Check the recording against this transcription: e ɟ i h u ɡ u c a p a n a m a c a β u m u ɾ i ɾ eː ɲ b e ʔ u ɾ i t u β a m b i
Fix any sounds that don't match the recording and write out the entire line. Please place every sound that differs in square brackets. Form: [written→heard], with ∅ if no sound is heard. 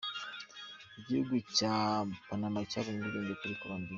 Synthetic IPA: [e→i] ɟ i h u ɡ u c a p a n a m a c a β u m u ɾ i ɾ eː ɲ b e [ʔ→k] u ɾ i [t→k] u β a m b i